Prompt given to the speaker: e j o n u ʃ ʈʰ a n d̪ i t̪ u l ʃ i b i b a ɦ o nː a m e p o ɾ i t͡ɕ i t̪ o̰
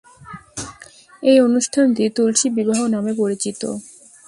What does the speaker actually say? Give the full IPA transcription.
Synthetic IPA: e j o n u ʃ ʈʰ a n t̪ i t̪ u l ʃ i b i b a ɦ o n a m e p o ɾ i t͡ɕ i t̪ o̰